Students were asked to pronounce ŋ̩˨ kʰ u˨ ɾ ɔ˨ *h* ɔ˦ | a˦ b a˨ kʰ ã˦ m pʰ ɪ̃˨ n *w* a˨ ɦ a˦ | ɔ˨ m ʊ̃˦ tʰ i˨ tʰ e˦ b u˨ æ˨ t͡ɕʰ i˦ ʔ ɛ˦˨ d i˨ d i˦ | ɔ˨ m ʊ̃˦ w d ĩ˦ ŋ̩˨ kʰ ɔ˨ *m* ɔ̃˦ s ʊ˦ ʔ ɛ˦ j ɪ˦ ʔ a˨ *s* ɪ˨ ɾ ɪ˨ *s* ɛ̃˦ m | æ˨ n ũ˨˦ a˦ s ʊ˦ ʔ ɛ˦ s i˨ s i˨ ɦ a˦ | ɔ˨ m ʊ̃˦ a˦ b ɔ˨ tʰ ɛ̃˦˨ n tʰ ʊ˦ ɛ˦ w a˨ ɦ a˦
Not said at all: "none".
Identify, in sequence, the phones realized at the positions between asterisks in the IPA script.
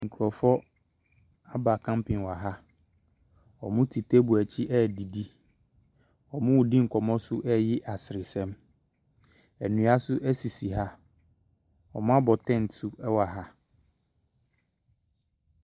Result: f, w, m, s, s

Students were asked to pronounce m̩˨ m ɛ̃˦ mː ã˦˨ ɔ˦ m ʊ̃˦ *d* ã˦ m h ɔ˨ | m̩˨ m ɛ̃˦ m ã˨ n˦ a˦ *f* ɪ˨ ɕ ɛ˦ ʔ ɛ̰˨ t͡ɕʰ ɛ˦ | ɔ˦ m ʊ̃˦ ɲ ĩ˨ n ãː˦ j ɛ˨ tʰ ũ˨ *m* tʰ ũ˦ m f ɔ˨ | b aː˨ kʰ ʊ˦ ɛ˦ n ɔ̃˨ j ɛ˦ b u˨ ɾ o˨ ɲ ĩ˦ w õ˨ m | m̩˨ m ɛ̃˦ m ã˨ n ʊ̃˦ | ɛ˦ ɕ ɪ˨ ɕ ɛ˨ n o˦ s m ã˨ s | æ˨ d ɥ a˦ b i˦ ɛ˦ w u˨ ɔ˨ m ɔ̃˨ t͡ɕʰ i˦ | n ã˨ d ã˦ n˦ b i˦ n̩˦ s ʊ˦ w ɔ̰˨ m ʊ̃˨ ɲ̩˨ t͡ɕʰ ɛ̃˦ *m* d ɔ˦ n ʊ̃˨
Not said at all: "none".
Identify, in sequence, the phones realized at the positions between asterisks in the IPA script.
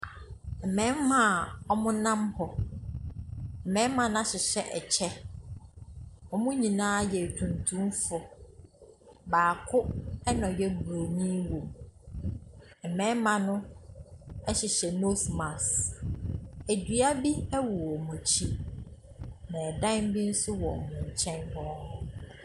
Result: n, ɕ, n, n

